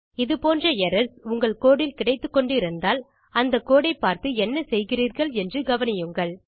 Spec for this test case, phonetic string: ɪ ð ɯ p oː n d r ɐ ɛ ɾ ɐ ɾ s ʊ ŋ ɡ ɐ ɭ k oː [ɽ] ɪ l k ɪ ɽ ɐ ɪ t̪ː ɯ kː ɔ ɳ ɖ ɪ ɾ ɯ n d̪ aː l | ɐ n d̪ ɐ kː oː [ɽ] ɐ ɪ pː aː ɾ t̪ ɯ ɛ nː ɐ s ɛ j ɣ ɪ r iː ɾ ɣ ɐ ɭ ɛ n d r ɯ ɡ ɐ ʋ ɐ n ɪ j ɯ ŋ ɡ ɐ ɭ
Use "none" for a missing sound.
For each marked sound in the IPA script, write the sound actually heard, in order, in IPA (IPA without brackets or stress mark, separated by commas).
ɽ, ɽ